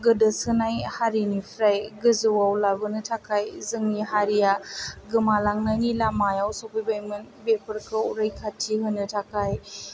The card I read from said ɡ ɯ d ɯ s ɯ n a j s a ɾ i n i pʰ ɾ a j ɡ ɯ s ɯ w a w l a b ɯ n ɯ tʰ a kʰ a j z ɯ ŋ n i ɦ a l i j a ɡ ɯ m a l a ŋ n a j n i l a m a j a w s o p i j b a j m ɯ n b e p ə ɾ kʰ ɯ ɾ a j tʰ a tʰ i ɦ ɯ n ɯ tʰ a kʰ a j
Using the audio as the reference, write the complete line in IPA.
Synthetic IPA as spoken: ɡ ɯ d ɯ s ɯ n a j h a ɾ i n i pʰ ɾ a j ɡ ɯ z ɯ w a w l a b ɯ n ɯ tʰ a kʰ a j z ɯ ŋ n i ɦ a ɾ i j a ɡ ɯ m a l a ŋ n a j n i l a m a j a w s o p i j b a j m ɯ n b e p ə ɾ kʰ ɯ ɾ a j kʰ a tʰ i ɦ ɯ n ɯ tʰ a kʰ a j